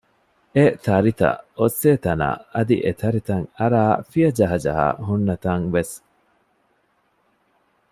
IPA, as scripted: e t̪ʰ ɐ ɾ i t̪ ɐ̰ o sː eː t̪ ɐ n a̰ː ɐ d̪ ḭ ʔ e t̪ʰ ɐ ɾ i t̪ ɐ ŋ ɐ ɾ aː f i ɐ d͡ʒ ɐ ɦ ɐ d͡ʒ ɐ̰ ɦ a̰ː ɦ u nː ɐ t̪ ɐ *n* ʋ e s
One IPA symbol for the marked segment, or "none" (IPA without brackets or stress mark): ŋ